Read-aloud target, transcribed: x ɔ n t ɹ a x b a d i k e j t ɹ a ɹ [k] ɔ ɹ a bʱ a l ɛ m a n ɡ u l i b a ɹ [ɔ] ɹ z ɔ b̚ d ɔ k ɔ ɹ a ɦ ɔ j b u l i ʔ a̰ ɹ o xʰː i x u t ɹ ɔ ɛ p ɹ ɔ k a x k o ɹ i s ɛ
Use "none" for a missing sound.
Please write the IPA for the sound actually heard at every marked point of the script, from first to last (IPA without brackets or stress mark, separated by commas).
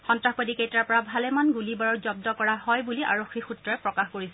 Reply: p, ɔ